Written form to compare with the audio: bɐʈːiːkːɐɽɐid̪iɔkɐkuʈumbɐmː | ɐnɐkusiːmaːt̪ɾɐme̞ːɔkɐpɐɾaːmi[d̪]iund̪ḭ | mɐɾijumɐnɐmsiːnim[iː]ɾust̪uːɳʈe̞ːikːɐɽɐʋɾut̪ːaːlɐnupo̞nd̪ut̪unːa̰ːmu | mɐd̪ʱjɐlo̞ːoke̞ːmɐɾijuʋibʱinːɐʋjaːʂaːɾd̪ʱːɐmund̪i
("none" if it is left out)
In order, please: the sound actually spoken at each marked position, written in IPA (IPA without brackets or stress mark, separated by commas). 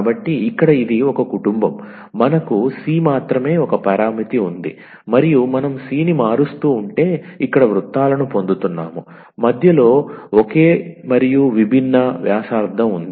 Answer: t̪, aː